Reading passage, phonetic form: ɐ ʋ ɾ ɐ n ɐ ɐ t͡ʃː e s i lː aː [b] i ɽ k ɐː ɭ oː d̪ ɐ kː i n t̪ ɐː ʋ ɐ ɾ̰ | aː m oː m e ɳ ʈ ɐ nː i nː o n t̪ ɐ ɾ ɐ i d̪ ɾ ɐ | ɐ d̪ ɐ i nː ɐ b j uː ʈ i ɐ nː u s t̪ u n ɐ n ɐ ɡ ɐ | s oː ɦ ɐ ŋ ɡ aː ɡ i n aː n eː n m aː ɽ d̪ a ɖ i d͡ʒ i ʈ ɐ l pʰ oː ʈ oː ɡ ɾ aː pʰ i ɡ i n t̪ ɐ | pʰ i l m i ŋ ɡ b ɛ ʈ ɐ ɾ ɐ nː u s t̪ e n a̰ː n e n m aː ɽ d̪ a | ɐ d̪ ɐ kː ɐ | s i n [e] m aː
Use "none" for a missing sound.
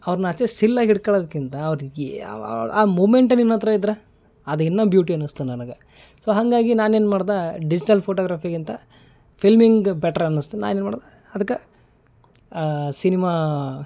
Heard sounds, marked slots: ɡ, i

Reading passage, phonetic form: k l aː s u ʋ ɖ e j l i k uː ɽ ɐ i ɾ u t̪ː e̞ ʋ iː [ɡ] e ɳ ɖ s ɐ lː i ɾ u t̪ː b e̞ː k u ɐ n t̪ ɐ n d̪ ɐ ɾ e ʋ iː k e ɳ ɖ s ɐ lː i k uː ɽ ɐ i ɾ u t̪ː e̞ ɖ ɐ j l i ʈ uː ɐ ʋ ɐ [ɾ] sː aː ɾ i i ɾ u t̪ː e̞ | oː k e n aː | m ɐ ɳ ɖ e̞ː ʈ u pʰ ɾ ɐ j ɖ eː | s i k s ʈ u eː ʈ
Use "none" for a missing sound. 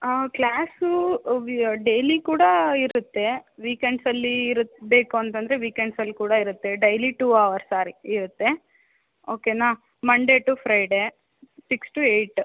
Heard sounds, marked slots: k, ɾ

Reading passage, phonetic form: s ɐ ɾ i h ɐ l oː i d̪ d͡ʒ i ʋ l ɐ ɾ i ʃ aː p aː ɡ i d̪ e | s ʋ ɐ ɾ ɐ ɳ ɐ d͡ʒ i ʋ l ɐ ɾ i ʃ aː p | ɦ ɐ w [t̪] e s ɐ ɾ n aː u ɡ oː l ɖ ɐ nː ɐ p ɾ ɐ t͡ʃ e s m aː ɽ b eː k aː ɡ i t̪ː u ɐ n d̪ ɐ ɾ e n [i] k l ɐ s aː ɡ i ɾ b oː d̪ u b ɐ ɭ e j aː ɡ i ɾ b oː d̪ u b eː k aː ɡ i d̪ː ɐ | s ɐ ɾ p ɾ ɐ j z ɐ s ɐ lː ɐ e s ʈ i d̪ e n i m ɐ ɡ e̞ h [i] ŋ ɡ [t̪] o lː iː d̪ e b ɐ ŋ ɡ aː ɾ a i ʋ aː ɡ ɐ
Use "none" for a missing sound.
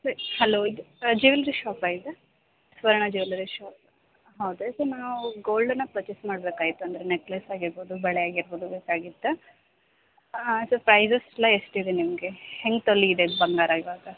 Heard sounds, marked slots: d̪, e, e, t̪

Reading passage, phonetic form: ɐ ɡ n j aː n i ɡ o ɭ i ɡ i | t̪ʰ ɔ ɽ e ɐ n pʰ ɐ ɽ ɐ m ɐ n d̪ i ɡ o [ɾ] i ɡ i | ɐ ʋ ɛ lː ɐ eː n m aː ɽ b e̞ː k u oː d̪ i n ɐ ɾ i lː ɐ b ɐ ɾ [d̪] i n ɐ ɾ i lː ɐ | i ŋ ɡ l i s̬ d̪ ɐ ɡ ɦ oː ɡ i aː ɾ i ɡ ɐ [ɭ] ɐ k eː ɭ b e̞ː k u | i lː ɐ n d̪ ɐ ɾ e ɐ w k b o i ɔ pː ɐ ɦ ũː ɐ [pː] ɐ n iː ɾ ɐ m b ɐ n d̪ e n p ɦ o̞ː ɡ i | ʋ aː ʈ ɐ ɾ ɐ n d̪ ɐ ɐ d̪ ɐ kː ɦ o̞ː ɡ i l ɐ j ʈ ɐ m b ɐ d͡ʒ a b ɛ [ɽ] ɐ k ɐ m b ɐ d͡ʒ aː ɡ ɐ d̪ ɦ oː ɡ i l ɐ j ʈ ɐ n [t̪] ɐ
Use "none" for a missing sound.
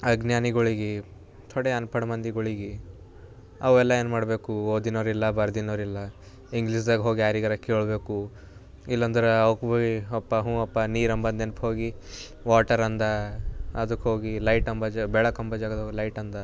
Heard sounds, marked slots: ɭ, d̪, ɾ, pː, ɭ, d̪

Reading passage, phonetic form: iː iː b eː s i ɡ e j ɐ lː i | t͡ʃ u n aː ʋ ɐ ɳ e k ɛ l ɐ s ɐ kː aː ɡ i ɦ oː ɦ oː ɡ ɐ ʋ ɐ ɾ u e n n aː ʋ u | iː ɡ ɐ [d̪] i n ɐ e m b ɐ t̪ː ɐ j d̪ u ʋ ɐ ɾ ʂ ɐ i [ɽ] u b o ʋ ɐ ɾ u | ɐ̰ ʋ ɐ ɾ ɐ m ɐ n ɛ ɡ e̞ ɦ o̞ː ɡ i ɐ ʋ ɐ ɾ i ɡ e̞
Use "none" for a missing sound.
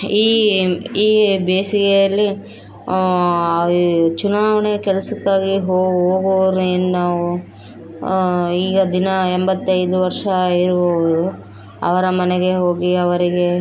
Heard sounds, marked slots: d̪, ɾ

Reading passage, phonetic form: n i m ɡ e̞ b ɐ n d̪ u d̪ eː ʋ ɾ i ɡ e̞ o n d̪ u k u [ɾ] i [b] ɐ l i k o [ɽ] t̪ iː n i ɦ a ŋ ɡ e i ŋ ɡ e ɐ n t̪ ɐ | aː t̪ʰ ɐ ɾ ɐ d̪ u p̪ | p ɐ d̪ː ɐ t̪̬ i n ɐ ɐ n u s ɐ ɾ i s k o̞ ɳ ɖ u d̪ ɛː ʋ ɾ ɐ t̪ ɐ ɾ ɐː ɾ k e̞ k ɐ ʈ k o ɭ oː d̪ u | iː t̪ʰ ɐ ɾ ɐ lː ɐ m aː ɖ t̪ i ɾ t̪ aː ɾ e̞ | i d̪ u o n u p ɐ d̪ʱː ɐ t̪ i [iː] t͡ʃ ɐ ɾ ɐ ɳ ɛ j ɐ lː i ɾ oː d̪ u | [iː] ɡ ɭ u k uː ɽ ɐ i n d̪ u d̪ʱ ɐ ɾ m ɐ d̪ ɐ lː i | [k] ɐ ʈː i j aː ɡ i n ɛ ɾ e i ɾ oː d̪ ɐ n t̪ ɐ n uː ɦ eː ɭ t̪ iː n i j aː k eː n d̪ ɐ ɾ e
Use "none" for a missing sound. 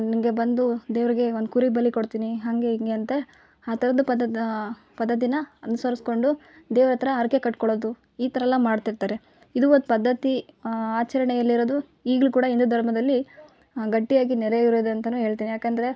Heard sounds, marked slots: ɾ, b, ɽ, aː, iː, ɡ

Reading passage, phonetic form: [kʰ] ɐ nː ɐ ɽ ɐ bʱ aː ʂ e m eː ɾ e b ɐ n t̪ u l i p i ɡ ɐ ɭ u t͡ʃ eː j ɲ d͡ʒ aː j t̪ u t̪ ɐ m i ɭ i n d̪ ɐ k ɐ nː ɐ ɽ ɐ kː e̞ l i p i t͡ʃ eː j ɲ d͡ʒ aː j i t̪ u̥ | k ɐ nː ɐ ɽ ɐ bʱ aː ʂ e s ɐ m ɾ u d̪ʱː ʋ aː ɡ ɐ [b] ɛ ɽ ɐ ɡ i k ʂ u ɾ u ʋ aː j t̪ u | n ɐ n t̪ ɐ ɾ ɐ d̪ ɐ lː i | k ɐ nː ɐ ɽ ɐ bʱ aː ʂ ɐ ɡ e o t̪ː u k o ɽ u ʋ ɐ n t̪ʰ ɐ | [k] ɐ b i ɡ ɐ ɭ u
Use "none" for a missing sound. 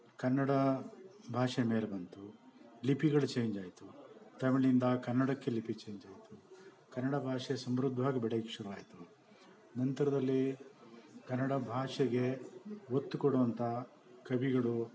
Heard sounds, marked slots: k, b, k

